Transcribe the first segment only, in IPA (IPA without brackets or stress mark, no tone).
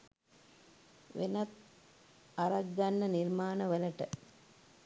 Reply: ʋ